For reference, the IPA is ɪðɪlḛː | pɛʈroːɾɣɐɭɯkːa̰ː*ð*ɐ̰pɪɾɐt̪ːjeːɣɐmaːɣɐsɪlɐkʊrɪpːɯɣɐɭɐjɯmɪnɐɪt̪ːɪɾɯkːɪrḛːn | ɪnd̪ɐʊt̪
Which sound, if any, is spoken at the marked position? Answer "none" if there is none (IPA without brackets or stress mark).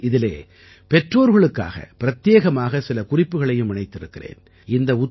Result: ɣ